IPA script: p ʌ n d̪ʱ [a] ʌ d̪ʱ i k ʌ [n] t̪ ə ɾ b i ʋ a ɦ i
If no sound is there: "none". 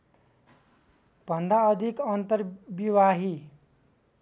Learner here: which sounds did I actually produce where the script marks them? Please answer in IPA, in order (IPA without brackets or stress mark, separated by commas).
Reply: a, n